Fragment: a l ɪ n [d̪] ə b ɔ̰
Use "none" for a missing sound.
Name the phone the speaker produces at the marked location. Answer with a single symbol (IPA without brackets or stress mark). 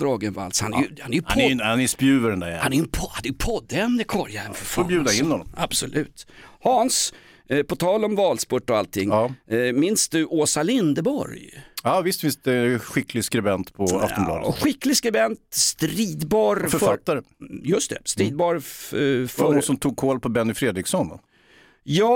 d̪